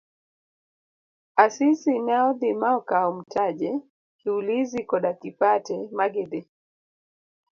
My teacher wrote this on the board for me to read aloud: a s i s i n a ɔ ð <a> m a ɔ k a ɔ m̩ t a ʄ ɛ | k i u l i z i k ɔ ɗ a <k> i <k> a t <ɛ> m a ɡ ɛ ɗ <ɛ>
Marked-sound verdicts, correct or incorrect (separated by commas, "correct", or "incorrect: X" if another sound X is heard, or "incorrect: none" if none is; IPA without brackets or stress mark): incorrect: i, correct, incorrect: p, correct, correct